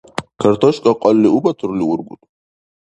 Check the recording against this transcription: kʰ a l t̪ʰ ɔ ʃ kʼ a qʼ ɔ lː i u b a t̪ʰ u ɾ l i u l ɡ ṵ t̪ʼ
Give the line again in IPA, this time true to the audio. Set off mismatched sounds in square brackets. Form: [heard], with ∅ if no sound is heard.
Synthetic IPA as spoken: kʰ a [ɾ] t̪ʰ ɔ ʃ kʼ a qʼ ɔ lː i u b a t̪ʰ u ɾ l i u [ɾ] ɡ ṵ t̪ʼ